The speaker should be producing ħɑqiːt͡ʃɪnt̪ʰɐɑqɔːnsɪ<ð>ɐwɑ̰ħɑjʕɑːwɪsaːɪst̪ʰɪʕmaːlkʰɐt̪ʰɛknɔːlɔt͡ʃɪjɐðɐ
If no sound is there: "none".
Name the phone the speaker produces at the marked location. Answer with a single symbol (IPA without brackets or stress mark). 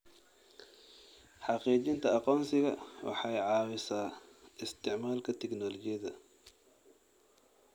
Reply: ɣ